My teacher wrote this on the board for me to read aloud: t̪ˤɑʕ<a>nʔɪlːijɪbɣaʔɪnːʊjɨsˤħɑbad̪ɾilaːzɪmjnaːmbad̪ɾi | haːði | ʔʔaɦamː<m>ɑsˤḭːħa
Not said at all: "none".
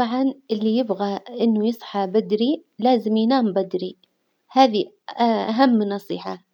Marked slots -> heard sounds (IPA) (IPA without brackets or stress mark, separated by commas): ɑ, n